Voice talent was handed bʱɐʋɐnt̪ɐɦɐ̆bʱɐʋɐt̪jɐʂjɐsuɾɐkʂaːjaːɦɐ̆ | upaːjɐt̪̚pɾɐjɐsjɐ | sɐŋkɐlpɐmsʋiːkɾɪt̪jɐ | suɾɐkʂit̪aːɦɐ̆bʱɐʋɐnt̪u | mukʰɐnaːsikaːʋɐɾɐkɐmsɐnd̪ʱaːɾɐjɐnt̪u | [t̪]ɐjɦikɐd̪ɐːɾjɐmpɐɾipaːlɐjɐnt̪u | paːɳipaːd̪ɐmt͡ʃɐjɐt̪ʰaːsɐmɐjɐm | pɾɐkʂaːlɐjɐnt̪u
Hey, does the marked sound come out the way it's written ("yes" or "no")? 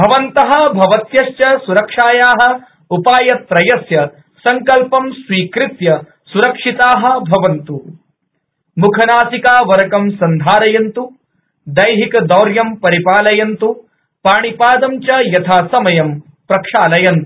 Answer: no